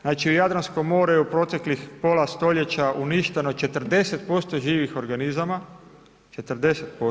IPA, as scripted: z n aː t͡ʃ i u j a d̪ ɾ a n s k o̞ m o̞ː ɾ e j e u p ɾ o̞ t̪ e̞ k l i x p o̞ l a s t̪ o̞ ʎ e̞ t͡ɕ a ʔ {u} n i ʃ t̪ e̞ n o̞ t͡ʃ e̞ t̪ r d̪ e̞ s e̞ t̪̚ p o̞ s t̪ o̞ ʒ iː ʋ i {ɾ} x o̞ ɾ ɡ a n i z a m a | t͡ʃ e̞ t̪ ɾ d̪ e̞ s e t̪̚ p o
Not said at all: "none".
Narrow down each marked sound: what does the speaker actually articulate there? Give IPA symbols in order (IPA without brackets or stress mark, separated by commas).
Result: u, none